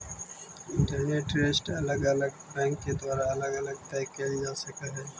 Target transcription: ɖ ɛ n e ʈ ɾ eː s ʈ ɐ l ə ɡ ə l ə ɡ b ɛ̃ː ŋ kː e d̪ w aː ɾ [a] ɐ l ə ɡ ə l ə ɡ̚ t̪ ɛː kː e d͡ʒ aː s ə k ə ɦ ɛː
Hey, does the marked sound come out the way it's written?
yes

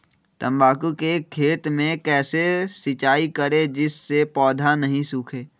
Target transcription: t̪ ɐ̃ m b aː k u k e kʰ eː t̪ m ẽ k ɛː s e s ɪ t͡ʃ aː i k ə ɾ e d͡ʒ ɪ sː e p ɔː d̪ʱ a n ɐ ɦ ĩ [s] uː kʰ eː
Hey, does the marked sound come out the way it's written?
yes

